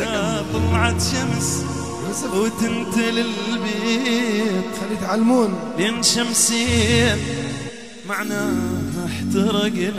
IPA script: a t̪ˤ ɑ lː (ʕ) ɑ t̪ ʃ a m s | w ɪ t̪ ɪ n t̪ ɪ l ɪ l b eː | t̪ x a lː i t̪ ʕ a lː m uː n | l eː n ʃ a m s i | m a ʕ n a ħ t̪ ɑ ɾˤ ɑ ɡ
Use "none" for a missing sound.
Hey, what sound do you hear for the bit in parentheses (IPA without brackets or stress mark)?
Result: ʕ